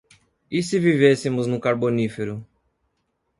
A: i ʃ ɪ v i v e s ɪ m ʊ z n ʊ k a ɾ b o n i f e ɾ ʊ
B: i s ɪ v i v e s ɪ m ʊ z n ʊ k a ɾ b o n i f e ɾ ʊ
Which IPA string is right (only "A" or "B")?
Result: B